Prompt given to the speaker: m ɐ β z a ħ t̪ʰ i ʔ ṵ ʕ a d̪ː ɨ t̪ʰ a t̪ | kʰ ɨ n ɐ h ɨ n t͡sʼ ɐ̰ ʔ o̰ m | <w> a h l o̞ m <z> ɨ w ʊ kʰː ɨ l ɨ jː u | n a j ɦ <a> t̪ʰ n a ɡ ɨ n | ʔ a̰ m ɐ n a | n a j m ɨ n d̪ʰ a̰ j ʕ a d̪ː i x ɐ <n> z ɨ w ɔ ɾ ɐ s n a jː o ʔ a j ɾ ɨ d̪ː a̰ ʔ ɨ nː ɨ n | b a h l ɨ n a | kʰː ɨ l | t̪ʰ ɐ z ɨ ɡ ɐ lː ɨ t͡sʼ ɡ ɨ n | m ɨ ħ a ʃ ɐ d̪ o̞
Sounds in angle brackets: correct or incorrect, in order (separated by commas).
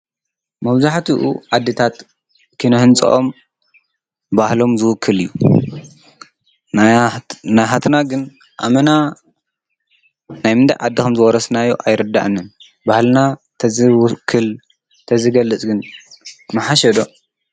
incorrect, correct, correct, incorrect